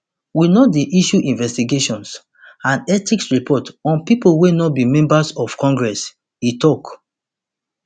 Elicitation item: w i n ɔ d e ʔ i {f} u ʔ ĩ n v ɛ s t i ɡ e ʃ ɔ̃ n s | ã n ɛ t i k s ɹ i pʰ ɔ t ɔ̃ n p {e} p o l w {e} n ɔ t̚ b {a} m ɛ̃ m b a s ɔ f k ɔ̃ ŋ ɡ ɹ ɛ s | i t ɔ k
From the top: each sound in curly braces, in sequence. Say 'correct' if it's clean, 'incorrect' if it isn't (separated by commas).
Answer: incorrect, incorrect, correct, incorrect